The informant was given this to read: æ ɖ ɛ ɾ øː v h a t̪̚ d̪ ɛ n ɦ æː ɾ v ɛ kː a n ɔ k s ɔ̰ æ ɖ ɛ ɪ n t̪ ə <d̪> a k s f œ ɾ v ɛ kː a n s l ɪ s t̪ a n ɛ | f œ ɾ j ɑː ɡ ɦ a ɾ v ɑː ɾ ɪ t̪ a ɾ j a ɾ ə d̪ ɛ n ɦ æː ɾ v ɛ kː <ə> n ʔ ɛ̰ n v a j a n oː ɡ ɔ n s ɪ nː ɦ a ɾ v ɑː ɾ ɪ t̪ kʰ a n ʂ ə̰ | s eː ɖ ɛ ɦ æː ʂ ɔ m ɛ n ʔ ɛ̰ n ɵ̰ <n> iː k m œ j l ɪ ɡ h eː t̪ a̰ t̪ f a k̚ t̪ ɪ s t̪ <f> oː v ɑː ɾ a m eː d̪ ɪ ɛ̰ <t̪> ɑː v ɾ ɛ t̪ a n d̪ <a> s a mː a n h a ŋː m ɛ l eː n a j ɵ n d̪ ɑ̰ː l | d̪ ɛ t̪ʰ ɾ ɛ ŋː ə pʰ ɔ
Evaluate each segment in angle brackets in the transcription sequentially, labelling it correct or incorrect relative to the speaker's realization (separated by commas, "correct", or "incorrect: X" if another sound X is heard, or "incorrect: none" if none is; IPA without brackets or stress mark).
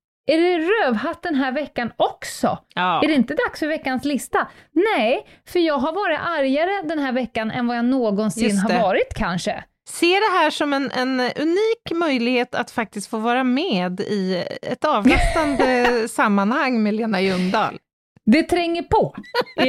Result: correct, incorrect: a, correct, correct, correct, incorrect: ə